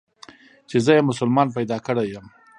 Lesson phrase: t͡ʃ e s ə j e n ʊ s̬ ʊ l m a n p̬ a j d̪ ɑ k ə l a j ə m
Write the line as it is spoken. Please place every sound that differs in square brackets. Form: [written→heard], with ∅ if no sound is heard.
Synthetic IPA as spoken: t͡ʃ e [s→z] ə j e [n→m] ʊ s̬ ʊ l m [a→ɑ] n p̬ a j d̪ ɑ k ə [l→ɽ] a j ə m